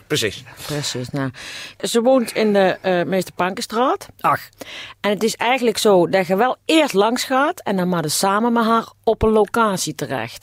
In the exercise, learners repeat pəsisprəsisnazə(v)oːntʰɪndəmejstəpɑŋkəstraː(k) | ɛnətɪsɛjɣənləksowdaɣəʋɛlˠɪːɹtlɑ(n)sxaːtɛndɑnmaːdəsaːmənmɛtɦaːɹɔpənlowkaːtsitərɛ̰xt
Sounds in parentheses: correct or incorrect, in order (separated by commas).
incorrect, incorrect, incorrect